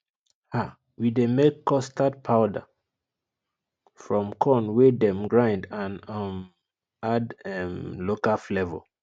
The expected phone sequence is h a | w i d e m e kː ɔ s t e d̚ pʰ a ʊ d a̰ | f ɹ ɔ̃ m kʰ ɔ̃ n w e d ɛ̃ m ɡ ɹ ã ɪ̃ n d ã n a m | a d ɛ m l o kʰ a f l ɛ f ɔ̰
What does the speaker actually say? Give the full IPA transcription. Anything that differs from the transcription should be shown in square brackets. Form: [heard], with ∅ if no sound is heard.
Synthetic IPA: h a | w i d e m e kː ɔ s t [a] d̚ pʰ a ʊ d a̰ | f ɹ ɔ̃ m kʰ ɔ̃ n w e d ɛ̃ m ɡ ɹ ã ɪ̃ n d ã n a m | a d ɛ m l o [k] a f l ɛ [v] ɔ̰